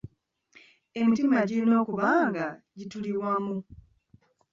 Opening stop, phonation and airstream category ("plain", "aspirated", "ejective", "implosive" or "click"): plain